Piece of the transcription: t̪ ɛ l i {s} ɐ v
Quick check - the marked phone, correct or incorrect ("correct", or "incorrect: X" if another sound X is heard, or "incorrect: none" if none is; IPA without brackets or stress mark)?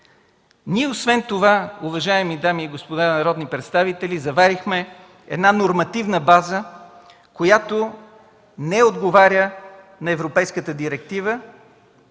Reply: incorrect: z